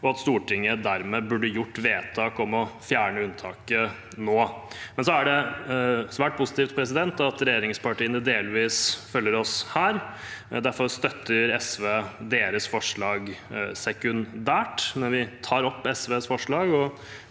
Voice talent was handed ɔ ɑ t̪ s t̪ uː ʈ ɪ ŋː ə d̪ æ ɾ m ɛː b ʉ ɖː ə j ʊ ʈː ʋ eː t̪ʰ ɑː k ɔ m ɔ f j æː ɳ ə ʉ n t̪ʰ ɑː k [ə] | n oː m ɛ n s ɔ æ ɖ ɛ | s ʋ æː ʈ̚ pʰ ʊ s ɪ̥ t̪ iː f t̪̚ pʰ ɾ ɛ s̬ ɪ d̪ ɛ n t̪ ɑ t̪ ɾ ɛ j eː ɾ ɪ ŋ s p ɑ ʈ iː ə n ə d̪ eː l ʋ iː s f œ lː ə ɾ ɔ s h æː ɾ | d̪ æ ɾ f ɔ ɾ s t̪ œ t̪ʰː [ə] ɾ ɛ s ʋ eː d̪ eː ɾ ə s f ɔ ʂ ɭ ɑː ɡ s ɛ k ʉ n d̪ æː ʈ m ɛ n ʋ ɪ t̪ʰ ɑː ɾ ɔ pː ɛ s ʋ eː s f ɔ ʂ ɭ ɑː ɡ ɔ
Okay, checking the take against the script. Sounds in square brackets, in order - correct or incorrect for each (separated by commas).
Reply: correct, correct